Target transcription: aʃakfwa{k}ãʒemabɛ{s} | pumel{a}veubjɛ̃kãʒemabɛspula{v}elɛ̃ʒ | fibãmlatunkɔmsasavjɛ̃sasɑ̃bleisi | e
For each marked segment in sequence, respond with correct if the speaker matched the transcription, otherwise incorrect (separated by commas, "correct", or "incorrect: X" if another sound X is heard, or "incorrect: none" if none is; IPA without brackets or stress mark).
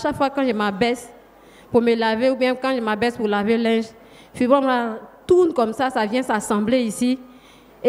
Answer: correct, correct, correct, correct